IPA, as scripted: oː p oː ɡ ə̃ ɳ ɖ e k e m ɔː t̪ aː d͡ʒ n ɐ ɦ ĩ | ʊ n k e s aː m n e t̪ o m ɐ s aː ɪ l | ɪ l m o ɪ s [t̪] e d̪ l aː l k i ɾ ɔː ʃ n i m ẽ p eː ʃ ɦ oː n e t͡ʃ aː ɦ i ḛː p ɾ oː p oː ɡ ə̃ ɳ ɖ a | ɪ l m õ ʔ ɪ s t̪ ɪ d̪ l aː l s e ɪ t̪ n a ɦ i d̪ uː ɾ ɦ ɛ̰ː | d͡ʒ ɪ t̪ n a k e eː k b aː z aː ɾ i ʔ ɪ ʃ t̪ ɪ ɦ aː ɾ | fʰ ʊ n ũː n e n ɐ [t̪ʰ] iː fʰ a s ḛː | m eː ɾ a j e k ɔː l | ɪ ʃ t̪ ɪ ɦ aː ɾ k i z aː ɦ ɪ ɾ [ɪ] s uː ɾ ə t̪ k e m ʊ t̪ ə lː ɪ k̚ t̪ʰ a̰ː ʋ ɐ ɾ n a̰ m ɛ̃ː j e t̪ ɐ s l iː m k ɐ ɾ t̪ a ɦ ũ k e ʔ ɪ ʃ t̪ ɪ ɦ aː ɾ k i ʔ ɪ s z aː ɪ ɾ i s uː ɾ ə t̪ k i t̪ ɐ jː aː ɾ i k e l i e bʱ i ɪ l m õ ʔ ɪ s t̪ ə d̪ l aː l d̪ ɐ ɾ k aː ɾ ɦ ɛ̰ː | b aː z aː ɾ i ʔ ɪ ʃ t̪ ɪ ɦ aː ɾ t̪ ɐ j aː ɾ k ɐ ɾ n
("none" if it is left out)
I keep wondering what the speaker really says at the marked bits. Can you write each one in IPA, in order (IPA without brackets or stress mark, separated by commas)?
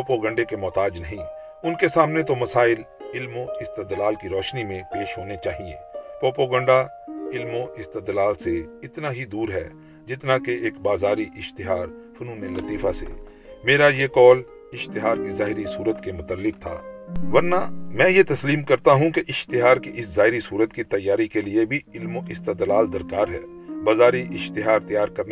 t̪, t̪, i